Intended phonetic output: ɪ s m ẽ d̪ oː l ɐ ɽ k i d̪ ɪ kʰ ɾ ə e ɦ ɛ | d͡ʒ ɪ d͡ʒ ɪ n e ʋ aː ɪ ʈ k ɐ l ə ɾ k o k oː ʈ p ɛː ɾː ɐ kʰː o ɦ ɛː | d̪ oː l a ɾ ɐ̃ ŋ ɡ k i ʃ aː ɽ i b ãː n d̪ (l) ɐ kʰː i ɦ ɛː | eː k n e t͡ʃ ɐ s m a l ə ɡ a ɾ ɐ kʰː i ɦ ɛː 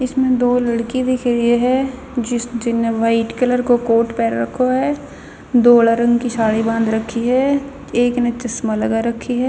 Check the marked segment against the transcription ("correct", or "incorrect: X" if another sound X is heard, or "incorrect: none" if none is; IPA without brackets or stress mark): incorrect: ɾ